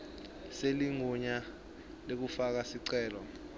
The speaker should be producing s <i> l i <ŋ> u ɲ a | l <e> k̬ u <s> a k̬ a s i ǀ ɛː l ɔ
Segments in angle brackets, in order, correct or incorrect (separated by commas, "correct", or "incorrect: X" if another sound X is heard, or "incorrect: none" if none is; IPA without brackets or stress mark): incorrect: e, correct, correct, incorrect: f